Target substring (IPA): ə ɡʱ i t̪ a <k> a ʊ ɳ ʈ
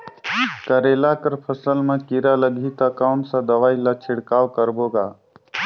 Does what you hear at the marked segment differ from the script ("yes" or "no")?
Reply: no